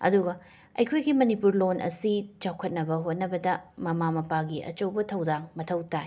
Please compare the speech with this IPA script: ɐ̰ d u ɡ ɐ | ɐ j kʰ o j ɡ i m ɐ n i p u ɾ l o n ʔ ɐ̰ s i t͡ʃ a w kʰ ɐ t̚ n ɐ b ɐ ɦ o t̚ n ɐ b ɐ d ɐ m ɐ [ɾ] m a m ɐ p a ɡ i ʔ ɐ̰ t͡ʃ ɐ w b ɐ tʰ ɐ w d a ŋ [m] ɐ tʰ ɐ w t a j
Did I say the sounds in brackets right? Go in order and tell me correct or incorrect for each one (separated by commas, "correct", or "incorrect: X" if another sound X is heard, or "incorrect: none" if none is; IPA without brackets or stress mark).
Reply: incorrect: none, correct